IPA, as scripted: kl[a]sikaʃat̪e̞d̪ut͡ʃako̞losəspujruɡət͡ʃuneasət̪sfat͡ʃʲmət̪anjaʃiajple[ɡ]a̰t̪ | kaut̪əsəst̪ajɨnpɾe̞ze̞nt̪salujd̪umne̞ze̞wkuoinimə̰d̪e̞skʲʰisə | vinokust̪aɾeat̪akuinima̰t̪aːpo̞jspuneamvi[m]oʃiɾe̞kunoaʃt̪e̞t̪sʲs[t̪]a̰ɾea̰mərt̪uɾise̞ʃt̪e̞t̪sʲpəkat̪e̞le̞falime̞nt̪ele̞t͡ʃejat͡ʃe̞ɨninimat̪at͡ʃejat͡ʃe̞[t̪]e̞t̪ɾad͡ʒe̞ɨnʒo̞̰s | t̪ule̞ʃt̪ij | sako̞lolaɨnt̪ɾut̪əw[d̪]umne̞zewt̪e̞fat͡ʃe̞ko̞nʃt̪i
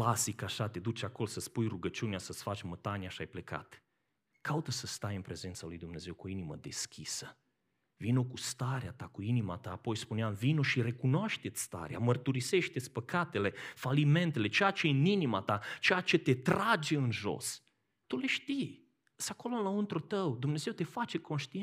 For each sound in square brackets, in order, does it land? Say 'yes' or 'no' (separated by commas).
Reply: yes, no, no, yes, yes, yes